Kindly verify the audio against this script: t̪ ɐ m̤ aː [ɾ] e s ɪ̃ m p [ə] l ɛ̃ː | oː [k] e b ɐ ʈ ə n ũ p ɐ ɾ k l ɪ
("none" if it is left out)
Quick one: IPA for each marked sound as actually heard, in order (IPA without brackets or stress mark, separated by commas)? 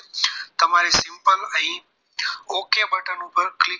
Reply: ɾ, ə, k